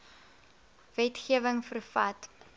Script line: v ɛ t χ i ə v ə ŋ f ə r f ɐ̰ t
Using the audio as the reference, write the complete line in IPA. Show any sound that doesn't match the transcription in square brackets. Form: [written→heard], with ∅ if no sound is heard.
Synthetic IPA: v ɛ t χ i ə v ə ŋ f ə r f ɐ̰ t